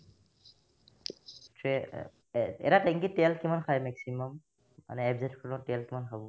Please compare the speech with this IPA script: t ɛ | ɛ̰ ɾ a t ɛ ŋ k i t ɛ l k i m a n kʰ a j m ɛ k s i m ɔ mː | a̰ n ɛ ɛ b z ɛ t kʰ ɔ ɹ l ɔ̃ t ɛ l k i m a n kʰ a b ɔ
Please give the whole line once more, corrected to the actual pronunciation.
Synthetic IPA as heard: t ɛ | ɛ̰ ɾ a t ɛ ŋ k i t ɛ l k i m a n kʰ a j m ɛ k s i m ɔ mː | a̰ n ɛ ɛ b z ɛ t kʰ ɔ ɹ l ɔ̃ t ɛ l k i m a n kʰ a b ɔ

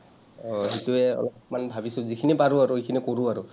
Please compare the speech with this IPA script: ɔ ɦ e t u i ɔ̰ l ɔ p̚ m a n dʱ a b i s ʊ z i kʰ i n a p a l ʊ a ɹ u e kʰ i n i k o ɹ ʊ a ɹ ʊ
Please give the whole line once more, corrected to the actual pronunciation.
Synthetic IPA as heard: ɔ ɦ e t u ɛ ɔ̰ l ɔ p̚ m a n bʱ a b i s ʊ z i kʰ i n i p a ɹ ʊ a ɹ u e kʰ i n i k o ɹ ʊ a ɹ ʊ

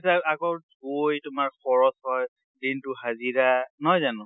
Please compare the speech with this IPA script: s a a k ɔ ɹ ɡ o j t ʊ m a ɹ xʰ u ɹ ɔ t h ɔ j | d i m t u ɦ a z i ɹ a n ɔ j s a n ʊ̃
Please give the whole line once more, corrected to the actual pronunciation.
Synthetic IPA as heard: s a a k ɔ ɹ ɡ o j t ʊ m a ɹ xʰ ɔ ɹ ɔ s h ɔ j | d i n t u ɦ a z i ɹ a n ɔ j z a n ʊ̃

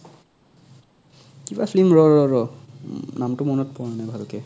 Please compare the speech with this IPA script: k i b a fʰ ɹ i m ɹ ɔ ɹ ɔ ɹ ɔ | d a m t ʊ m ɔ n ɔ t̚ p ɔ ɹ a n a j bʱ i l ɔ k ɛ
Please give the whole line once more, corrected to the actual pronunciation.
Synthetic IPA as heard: k i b a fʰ l i m ɹ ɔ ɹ ɔ ɹ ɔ | n a m t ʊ m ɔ n ɔ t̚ p ɔ ɹ a n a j bʱ a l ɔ k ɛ

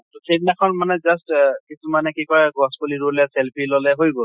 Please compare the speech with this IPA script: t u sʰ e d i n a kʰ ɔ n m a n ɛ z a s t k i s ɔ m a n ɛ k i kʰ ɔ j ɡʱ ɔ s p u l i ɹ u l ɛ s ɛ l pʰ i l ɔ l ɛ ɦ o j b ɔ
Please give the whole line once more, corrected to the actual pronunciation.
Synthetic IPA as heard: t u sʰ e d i n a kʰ ɔ n m a n ɛ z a s t k i s u m a n ɛ k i k ɔ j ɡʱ ɔ s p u l i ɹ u l ɛ s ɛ l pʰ i l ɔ l ɛ ɦ o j b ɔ

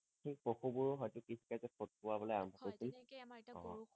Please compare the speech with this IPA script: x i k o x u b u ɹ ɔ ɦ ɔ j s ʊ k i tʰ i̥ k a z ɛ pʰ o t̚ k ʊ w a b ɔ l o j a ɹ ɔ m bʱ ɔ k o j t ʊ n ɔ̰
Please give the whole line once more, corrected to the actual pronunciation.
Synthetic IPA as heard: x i p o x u b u ɹ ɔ ɦ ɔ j t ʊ k i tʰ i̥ k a z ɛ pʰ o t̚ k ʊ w a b ɔ l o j a ɹ ɔ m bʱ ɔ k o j s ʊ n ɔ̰

